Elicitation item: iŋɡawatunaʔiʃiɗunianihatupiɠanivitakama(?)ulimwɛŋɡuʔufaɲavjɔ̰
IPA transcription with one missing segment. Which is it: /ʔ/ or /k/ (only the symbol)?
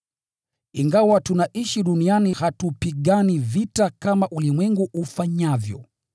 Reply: ʔ